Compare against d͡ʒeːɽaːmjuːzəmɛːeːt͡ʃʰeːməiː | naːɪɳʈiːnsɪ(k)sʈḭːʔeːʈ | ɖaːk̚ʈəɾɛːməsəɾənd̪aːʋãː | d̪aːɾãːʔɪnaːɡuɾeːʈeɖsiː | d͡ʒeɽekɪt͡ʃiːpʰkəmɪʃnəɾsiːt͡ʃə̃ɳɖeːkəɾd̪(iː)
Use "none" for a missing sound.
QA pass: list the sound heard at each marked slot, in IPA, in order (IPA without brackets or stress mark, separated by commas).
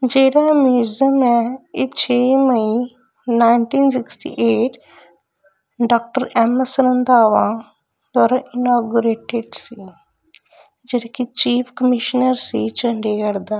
k, aː